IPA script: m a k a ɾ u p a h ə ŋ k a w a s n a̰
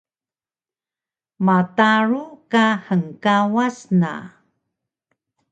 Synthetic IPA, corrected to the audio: m a t a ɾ u k a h ə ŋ k a w a s n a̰